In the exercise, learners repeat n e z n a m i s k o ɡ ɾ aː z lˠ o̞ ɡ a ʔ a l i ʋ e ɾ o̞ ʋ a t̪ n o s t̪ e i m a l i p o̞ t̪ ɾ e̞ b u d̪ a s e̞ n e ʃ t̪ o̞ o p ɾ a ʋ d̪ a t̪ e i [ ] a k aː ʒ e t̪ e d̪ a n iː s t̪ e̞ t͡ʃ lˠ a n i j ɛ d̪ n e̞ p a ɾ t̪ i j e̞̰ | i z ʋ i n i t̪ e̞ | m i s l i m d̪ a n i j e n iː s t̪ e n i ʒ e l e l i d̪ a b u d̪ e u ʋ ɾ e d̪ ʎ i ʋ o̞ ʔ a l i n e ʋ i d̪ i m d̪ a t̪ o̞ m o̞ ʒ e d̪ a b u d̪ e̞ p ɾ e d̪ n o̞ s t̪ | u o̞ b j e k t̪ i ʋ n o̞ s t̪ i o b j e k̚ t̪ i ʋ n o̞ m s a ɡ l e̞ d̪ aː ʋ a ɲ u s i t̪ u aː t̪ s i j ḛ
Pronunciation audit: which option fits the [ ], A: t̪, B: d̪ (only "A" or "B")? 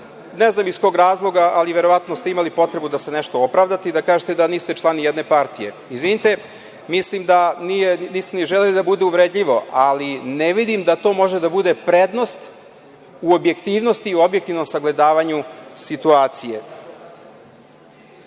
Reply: B